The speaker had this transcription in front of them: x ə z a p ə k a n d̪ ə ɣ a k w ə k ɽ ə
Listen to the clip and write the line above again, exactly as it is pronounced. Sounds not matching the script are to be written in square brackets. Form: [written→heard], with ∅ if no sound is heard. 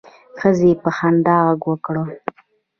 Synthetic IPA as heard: x ə z [a→e] p ə [k→x] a n d̪ [ə→ɑ] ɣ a [k→ɡ] w ə k ɽ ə